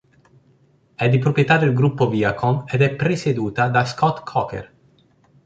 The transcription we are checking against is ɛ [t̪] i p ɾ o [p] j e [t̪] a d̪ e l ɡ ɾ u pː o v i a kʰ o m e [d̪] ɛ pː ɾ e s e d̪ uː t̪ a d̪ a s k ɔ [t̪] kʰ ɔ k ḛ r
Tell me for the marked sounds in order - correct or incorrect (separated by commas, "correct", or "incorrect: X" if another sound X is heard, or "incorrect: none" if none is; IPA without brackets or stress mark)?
incorrect: d̪, correct, correct, correct, correct